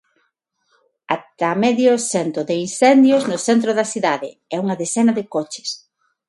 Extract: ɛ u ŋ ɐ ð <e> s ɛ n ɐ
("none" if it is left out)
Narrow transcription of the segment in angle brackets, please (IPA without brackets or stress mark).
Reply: e